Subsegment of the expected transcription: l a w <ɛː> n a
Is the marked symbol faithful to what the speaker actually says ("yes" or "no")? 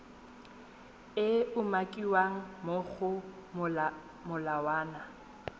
no